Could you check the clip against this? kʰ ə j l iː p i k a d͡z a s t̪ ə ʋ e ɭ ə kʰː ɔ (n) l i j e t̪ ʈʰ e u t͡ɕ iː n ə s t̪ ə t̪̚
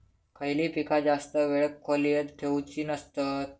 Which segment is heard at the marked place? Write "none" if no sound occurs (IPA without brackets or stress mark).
none